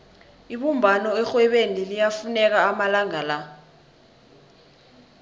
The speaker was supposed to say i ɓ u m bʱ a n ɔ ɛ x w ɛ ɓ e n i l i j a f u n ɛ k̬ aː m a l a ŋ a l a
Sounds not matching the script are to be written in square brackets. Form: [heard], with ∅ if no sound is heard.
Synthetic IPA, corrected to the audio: i ɓ u m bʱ a n ɔ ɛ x w ɛ ɓ e n i l i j a f u n ɛ k̬ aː m a l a ŋ a l a